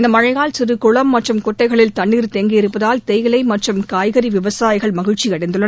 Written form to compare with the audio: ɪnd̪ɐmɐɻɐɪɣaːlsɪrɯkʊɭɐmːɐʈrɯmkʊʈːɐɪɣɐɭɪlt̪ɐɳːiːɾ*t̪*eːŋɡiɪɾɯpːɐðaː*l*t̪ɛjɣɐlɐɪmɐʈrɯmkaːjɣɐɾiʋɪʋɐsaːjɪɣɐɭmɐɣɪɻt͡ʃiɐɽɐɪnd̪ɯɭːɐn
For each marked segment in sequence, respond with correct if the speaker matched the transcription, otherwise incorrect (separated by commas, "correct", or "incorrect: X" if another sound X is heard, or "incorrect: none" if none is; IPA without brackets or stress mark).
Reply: correct, correct